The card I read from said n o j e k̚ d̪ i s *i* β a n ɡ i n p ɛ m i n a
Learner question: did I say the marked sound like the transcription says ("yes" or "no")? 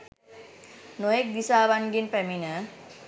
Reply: no